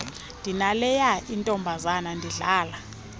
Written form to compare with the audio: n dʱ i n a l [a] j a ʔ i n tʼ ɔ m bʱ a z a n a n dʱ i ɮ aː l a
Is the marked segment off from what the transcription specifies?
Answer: yes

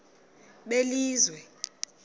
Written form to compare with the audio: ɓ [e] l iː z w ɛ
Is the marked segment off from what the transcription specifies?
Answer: no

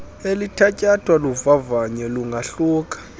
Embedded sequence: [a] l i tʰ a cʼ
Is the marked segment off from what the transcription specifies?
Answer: yes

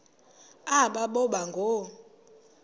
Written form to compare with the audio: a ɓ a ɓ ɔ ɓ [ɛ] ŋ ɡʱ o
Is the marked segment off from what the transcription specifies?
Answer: yes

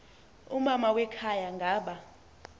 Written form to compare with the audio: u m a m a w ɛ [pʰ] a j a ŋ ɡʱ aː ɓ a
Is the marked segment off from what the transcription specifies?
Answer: yes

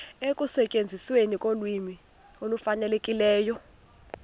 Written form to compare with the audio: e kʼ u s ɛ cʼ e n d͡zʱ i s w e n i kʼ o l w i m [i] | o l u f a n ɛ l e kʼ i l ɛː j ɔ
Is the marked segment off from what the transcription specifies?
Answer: no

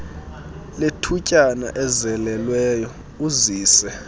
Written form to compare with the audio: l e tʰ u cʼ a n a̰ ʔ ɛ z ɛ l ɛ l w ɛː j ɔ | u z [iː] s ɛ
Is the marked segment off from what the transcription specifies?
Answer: no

